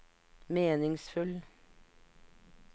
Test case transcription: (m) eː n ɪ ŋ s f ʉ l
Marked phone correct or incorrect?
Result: correct